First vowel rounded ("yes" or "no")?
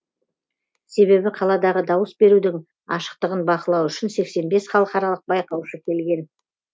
no